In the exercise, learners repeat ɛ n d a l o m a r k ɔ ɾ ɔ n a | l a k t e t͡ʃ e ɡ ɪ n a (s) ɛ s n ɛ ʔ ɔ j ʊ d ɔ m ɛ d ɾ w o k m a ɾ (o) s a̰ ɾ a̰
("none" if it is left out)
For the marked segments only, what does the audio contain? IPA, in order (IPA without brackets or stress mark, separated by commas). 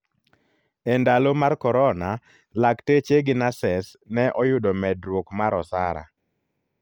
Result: s, ɔ